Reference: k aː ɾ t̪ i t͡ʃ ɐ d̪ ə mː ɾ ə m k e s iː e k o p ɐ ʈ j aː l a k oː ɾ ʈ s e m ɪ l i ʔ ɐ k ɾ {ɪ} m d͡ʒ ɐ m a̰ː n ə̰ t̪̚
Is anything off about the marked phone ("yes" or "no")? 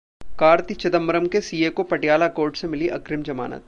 no